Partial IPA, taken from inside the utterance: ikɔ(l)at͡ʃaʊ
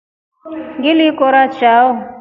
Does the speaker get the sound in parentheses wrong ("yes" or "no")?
yes